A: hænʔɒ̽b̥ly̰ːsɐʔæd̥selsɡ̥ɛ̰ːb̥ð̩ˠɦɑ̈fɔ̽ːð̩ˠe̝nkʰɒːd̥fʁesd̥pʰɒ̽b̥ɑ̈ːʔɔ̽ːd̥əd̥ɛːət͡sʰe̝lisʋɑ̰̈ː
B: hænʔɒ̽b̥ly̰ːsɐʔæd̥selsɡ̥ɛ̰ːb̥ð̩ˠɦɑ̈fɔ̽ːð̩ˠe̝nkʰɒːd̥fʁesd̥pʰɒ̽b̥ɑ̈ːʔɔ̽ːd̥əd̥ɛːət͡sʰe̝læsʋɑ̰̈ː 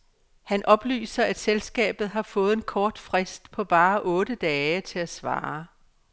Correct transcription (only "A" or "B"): B